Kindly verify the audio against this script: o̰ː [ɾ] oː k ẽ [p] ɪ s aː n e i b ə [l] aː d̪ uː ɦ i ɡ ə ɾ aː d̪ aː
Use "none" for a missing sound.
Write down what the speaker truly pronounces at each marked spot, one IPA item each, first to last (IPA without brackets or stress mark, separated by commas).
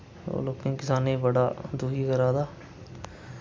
l, k, ɽ